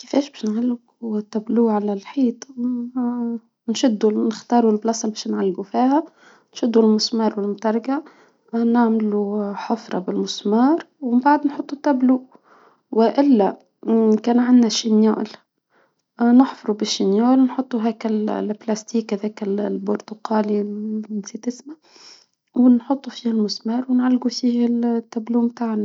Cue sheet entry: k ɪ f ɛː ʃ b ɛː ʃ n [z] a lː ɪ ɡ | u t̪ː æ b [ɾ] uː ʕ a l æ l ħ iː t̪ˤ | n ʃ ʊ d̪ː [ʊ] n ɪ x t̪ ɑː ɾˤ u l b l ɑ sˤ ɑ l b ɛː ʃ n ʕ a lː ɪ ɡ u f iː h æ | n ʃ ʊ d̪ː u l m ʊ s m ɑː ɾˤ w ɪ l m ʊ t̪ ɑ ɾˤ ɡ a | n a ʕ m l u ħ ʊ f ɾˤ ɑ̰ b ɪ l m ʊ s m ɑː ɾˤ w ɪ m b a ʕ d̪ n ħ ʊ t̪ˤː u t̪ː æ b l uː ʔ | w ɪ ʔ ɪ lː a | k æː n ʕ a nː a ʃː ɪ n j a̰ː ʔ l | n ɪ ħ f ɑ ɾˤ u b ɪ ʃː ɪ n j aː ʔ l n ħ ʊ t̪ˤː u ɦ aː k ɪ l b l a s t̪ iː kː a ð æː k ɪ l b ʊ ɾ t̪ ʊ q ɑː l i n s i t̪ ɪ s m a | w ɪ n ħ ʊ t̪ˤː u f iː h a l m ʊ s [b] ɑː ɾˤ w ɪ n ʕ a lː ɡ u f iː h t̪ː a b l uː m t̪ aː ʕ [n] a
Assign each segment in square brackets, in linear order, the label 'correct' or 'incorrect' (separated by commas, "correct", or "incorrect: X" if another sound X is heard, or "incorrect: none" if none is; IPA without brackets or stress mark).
incorrect: ʕ, incorrect: l, incorrect: u, incorrect: m, correct